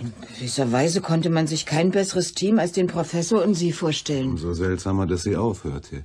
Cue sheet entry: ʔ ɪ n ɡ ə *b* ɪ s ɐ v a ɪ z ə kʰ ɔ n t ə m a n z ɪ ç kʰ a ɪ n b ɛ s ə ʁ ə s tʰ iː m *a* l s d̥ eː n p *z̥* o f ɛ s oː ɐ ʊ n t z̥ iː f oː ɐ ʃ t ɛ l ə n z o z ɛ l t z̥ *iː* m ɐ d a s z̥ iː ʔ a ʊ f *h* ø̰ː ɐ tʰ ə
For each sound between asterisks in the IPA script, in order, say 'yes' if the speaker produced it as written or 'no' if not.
no, yes, no, no, yes

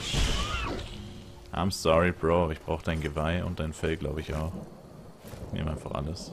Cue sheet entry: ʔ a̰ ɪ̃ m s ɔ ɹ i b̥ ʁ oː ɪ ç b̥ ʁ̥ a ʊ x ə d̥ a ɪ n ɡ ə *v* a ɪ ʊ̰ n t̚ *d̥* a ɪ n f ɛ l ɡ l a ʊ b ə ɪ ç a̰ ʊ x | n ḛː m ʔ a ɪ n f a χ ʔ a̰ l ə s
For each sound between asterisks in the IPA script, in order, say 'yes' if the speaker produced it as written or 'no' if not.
yes, yes

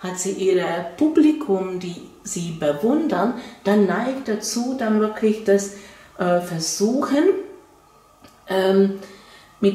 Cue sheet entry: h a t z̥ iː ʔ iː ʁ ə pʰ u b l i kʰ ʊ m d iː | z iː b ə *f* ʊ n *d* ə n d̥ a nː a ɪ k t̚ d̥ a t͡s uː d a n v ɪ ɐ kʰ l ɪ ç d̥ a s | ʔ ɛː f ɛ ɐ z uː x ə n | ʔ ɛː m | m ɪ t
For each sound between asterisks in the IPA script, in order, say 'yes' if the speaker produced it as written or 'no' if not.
no, yes

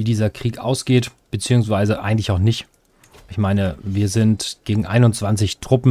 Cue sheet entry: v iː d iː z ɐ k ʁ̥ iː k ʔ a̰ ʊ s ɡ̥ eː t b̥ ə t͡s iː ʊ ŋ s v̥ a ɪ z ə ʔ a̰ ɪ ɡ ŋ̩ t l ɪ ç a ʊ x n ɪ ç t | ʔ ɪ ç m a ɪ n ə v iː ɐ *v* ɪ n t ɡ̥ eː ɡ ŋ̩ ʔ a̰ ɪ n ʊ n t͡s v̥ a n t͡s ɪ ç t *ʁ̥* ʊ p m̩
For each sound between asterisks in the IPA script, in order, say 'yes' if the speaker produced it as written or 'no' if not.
no, yes

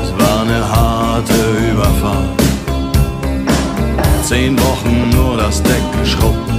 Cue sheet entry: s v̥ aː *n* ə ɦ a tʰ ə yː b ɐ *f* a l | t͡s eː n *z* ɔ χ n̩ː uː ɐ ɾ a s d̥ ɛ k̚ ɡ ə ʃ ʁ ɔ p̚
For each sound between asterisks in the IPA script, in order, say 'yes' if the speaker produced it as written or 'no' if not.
yes, yes, no

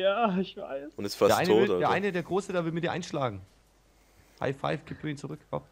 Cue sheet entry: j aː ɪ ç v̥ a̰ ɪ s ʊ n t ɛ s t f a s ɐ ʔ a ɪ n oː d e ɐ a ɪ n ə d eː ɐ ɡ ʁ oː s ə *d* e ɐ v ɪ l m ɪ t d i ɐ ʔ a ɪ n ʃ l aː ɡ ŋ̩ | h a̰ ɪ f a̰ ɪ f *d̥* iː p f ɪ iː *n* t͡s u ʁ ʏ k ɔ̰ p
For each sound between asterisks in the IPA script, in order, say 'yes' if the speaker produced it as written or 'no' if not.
yes, no, yes

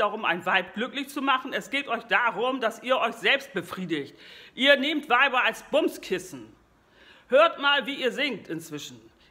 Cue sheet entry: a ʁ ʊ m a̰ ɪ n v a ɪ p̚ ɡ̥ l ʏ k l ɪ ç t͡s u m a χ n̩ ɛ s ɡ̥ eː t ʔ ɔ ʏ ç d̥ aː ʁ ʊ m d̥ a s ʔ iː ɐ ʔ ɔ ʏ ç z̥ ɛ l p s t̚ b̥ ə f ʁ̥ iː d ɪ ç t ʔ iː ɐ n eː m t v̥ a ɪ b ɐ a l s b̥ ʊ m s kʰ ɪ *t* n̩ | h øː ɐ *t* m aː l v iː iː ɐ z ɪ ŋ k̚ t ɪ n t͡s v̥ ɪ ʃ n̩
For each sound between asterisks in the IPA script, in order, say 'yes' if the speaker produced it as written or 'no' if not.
no, yes

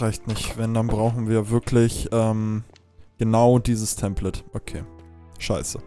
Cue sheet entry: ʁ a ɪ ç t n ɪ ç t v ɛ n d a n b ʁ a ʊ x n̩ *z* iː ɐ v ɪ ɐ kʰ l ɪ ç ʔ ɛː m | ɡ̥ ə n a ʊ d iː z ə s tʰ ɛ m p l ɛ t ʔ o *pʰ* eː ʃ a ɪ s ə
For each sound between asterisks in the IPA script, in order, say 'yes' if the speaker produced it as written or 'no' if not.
no, no

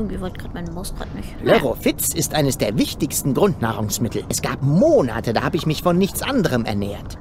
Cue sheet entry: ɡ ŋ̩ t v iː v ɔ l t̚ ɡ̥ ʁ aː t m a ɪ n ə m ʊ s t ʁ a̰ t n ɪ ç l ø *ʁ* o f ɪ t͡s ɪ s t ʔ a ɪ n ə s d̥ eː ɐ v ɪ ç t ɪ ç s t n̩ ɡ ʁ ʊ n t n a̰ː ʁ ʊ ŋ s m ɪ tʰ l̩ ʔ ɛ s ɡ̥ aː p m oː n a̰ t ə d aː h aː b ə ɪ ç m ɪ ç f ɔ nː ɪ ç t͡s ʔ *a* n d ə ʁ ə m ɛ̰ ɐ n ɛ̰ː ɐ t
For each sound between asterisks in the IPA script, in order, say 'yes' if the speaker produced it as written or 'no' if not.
yes, yes

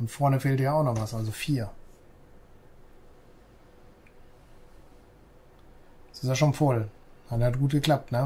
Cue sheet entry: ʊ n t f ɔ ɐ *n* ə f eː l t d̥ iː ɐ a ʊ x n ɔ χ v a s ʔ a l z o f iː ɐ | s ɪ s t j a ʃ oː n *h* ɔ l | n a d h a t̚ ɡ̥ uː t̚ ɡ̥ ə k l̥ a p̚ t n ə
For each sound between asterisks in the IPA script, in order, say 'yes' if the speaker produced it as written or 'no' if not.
yes, no

